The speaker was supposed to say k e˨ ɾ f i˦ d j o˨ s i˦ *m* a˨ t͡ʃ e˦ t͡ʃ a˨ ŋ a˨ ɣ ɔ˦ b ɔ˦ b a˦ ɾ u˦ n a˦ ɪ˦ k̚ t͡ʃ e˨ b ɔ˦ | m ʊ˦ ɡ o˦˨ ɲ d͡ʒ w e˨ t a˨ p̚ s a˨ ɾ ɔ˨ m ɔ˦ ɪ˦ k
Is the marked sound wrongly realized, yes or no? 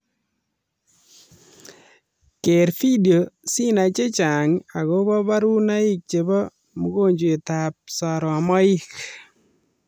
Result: yes